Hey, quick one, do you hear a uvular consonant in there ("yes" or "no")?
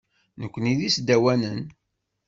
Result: no